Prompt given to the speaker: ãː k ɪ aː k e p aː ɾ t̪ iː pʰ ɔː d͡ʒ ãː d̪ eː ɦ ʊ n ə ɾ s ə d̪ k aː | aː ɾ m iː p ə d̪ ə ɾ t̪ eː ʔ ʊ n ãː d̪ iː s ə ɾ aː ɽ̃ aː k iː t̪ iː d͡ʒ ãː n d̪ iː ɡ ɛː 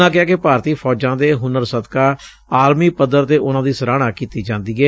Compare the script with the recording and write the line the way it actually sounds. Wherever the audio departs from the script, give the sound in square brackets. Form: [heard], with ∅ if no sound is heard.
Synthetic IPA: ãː k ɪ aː k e p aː ɾ t̪ iː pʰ ɔː d͡ʒ ãː d̪ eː ɦ ʊ n ə ɾ s ə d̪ k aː | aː ɾ m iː p ə d̪ ə ɾ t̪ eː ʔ ʊ n ãː d̪ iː s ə ɾ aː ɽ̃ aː k iː t̪ iː d͡ʒ ãː n d̪ iː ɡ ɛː